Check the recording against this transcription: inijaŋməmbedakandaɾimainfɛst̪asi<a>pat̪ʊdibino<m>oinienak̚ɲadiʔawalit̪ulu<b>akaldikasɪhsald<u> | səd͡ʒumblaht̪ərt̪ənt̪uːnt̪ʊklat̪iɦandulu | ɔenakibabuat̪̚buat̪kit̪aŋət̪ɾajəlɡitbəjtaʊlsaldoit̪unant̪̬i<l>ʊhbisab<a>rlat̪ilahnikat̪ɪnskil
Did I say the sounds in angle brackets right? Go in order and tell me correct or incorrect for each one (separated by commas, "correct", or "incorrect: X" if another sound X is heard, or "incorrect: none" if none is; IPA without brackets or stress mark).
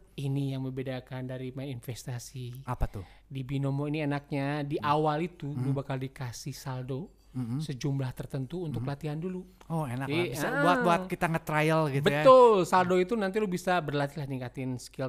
correct, correct, correct, incorrect: o, correct, incorrect: ə